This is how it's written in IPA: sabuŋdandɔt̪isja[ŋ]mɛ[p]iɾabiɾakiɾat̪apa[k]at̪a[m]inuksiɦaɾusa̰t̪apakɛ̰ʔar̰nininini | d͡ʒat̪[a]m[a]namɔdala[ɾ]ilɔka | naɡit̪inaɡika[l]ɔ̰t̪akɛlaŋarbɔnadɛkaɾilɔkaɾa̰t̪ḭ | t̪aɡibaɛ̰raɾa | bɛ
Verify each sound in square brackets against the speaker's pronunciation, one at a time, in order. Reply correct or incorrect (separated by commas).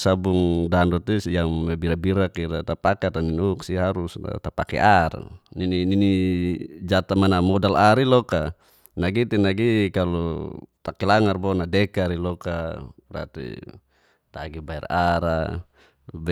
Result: correct, incorrect, correct, incorrect, correct, correct, correct, correct